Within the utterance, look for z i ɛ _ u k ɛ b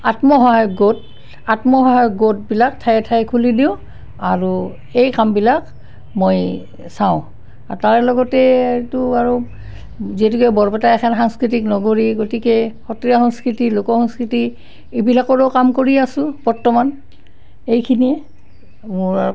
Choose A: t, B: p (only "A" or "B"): A